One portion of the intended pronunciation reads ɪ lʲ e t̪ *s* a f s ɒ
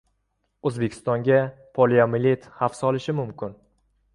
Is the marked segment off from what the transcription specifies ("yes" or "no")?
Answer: yes